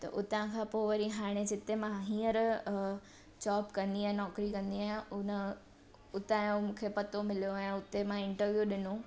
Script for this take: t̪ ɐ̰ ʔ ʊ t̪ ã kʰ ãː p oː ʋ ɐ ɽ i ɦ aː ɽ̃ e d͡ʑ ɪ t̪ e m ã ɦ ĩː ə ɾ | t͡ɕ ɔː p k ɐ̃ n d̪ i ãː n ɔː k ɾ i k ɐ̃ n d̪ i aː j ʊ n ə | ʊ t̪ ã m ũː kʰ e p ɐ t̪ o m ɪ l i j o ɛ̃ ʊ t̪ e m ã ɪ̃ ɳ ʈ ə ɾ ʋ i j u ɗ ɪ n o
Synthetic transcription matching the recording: t̪ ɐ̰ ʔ ʊ t̪ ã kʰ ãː p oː ʋ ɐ ɾ i ɦ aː ɽ̃ e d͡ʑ ɪ t̪ e m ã ɦ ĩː ə ɾ | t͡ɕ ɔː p k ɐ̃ n d̪ i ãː n ɔː k ɾ i k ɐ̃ n d̪ i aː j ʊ n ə | ʊ t̪ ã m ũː kʰ e p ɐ t̪ o m ɪ l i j o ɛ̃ ʊ t̪ e m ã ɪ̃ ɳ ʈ ə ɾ ʋ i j u ɗ ɪ n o